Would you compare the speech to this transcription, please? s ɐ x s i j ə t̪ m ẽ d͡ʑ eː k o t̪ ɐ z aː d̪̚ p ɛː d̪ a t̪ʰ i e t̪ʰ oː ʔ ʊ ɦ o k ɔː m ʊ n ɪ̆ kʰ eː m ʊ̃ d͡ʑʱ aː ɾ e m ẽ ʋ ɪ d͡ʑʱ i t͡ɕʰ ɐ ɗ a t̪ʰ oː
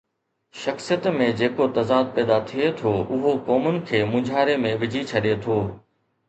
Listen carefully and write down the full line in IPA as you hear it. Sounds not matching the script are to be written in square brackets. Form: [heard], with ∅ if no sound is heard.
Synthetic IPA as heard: [ʃ] ɐ x s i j ə t̪ m ẽ d͡ʑ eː k o t̪ ɐ z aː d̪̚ p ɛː d̪ a t̪ʰ i e t̪ʰ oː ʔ ʊ ɦ o k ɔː m ʊ n ɪ̆ kʰ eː m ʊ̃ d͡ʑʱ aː ɾ e m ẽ ʋ ɪ d͡ʑʱ i t͡ɕʰ ɐ ɗ [e] t̪ʰ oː

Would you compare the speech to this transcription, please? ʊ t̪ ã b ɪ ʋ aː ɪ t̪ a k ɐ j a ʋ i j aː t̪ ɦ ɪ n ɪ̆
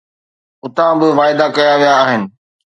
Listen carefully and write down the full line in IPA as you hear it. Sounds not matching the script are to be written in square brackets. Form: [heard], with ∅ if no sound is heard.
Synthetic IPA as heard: ʊ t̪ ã b ɪ ʋ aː ɪ [d̪] a k ɐ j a ʋ i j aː [∅] ɦ ɪ n ɪ̆

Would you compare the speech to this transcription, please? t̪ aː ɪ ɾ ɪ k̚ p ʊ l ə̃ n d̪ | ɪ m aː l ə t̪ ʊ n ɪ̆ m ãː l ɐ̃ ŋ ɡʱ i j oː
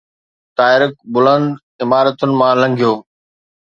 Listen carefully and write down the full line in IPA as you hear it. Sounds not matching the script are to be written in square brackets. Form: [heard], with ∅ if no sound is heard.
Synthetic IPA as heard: t̪ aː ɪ ɾ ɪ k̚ [b] ʊ l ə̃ n d̪ | ɪ m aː [ɾ] ə t̪ ʊ n ɪ̆ m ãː l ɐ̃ ŋ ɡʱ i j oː

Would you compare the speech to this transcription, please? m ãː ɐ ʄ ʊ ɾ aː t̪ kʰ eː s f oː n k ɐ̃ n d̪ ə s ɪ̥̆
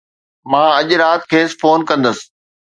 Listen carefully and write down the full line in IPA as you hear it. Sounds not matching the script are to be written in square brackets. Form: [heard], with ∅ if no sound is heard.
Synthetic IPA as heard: m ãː ɐ ʄ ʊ ɾ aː t̪ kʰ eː s f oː n k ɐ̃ n d̪ ə s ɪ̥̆

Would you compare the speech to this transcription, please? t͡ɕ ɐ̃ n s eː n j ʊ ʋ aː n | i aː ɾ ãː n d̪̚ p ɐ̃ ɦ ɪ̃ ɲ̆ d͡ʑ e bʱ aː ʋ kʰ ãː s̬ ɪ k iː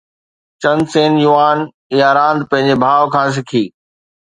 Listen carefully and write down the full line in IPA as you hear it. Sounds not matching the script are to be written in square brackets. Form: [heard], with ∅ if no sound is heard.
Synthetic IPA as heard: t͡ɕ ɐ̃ n s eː n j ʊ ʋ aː n | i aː ɾ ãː n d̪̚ p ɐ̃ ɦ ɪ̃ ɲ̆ d͡ʑ e bʱ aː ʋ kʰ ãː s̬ ɪ [kʰ] iː

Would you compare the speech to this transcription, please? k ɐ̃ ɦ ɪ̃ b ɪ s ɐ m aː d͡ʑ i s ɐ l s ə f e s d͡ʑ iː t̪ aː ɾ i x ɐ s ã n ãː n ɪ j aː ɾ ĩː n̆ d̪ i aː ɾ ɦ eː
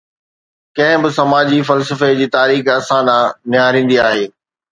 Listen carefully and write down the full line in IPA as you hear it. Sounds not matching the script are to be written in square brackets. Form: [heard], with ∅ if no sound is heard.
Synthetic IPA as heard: k ɐ̃ ɦ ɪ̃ b ɪ s ɐ m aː d͡ʑ i [f] ɐ l s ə f e [∅] d͡ʑ iː t̪ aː ɾ [iː] x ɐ s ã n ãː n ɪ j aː ɾ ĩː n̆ d̪ i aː [∅] ɦ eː

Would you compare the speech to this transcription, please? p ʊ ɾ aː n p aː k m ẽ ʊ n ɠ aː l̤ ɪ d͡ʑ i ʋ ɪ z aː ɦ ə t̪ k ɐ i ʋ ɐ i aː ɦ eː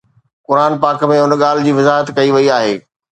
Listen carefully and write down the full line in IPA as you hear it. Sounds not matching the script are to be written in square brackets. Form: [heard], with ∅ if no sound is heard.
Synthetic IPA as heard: [k] ʊ ɾ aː n p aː k m ẽ ʊ n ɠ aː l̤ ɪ d͡ʑ [iː] ʋ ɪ z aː ɦ ə t̪ k ɐ i ʋ ɐ i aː ɦ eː

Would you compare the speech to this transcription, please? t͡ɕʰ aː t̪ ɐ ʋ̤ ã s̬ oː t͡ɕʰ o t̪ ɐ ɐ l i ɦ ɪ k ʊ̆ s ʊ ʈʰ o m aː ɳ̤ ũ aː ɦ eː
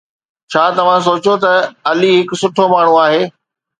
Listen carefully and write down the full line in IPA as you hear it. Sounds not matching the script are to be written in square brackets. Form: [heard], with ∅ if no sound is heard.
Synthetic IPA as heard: t͡ɕʰ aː t̪ ɐ ʋ̤ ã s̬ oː [t͡ɕ] o t̪ ɐ ɐ l i ɦ ɪ k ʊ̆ s ʊ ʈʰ o m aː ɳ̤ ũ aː ɦ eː

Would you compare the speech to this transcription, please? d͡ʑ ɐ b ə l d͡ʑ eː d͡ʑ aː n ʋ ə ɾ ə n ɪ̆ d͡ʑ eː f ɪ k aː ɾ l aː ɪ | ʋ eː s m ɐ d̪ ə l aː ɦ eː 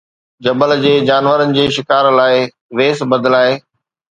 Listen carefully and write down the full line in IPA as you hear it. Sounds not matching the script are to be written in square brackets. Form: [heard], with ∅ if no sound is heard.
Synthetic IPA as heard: d͡ʑ ɐ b ə l d͡ʑ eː d͡ʑ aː n ʋ ə ɾ ə n ɪ̆ d͡ʑ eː [ʃ] ɪ k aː ɾ l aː ɪ | ʋ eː s [b] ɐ d̪ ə l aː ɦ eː

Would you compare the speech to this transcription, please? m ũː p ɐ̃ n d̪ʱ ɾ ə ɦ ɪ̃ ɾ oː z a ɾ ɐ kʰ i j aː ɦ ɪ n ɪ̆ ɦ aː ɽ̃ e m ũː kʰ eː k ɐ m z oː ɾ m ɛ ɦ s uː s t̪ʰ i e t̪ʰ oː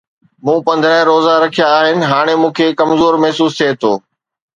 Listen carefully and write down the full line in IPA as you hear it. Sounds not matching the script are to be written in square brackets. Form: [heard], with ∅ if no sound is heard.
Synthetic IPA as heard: m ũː p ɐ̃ n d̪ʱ ɾ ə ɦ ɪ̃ ɾ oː z a ɾ ɐ kʰ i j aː ɦ ɪ n ɪ̆ ɦ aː ɽ̃ e m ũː kʰ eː k ɐ m z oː ɾ m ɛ ɦ s uː s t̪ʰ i e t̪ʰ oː

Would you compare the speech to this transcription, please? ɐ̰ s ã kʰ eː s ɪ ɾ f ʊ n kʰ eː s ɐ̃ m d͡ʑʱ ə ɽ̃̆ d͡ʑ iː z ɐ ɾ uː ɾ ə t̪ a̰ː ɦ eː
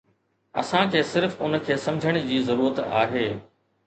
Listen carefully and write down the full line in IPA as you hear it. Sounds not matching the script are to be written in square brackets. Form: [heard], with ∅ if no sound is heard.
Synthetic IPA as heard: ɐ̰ s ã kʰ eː s ɪ ɾ f ʊ n kʰ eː s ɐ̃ m d͡ʑʱ ə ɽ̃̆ d͡ʑ iː z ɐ ɾ uː ɾ ə t̪ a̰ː ɦ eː

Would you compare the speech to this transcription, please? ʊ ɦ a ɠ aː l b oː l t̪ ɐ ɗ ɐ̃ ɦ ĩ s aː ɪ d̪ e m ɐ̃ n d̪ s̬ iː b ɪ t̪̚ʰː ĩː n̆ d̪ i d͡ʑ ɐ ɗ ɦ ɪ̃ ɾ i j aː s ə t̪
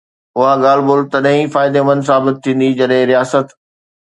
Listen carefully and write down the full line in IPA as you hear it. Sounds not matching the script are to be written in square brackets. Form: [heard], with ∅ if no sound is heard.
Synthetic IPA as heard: ʊ ɦ a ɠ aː l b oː l t̪ ɐ ɗ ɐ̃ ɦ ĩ [f] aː ɪ d̪ e m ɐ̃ n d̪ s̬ [aː] b ɪ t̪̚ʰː ĩː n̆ d̪ i d͡ʑ ɐ ɗ ɦ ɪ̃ ɾ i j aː s ə t̪

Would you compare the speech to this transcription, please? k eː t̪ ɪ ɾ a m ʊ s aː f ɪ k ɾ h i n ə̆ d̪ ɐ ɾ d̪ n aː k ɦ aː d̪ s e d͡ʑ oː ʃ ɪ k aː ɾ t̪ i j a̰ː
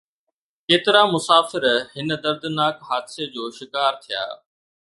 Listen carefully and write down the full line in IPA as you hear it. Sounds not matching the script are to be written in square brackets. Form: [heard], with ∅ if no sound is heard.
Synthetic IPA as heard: k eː t̪ ɪ ɾ a m ʊ s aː f ɪ [∅] ɾ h [ɪ] n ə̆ d̪ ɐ ɾ d̪ n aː k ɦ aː d̪ s e d͡ʑ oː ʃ ɪ k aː ɾ [t̪ʰ] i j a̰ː

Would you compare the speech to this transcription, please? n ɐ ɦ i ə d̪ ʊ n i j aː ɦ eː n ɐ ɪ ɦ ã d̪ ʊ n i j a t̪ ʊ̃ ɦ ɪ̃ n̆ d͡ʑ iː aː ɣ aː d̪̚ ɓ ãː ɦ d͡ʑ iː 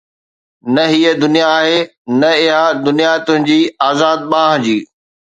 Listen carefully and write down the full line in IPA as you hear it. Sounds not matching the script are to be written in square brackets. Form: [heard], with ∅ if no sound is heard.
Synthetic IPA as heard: n ɐ ɦ i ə d̪ ʊ n i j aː ɦ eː n ɐ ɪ ɦ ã d̪ ʊ n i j a t̪ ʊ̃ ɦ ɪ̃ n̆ d͡ʑ iː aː [z] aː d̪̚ ɓ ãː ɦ d͡ʑ iː

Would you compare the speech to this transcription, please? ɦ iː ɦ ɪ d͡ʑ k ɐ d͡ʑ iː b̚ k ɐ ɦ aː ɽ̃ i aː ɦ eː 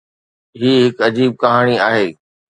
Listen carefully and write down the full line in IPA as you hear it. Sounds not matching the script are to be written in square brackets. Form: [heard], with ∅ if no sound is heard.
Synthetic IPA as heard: ɦ iː ɦ ɪ [∅] k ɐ d͡ʑ iː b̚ k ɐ ɦ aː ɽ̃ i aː ɦ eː

